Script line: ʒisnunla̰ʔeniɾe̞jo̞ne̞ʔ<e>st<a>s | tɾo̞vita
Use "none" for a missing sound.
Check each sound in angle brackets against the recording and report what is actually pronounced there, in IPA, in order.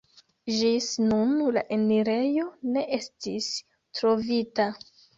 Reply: e, i

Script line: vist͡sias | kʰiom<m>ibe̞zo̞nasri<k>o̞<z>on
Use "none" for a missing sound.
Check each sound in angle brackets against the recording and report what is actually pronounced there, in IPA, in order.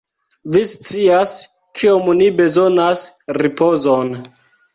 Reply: n, p, z

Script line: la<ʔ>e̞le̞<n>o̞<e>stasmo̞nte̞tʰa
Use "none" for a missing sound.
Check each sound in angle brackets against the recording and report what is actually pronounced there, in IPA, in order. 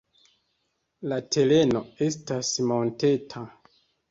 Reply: t, n, e

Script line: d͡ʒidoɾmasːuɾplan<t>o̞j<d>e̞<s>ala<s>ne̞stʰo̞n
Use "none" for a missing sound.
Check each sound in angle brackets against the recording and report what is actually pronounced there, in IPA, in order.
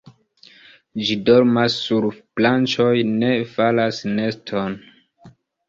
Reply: t͡ʃ, n, f, s

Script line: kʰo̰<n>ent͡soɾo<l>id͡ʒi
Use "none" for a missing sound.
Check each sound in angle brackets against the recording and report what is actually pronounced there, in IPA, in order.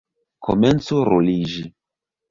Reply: m, l

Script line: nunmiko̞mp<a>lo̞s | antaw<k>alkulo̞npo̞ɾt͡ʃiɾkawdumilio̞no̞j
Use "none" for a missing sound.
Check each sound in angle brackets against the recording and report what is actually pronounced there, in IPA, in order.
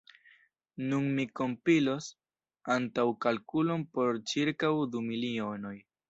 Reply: i, k

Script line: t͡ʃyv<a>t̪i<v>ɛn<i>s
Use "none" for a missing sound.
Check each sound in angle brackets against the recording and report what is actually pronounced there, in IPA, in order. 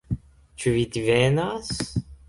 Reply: i, v, a

